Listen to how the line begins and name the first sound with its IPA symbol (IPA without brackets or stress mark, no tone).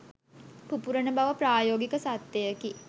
p